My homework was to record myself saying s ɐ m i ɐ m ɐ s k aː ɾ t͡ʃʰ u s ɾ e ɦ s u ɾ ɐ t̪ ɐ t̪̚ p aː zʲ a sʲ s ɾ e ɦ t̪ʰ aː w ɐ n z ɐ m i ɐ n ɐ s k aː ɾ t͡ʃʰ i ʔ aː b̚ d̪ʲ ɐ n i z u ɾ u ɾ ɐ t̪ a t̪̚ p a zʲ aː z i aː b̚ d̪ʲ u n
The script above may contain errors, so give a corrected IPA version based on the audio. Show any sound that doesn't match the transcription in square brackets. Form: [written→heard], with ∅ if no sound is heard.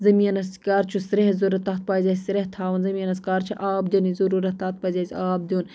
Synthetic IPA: [s→z] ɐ m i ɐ [m→n] ɐ s k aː ɾ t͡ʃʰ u s ɾ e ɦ [s→z] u ɾ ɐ t̪ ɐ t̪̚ p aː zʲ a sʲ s ɾ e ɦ t̪ʰ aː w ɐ n z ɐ m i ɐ n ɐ s k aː ɾ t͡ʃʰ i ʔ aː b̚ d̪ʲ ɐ n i z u ɾ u ɾ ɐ t̪ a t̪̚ p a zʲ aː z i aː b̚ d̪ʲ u n